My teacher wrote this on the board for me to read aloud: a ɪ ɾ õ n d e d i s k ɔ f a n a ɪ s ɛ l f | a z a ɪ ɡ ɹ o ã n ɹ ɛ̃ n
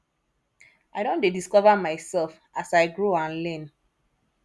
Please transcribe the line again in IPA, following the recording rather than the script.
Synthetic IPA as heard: a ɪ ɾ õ n d e d i s k ɔ v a m a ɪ s ɛ l f | a s a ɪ ɡ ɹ o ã n l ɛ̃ n